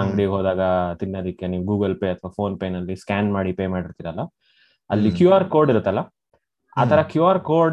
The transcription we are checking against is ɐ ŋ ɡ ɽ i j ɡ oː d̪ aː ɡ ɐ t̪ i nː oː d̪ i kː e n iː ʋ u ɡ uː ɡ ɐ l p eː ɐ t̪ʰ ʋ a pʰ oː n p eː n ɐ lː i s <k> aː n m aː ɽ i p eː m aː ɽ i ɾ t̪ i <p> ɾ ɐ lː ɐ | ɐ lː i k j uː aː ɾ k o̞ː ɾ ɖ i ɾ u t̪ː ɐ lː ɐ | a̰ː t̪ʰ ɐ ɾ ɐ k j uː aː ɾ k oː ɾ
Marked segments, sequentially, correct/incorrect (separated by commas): correct, incorrect